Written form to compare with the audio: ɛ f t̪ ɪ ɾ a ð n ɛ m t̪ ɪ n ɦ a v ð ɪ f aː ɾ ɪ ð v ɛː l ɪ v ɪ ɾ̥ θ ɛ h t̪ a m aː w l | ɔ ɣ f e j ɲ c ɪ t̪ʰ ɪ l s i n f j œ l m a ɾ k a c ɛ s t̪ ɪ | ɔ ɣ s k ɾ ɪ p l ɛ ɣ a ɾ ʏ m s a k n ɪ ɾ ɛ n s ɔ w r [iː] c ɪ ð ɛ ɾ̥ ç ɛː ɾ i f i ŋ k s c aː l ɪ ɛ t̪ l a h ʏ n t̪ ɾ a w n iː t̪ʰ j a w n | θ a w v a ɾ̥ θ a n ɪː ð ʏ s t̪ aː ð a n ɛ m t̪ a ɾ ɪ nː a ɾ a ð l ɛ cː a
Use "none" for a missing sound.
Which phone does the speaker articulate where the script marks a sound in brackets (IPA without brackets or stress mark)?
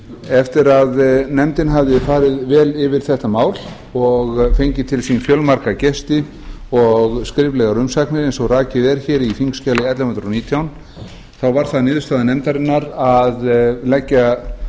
aː